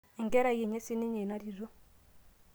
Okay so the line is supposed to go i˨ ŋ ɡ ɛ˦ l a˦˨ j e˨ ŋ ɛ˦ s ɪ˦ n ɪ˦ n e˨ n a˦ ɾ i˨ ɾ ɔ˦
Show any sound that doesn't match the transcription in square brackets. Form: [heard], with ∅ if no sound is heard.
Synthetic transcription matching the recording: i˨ ŋ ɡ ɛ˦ [ɾ] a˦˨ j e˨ [ɲ] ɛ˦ s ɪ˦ n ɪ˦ [ɲ] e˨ n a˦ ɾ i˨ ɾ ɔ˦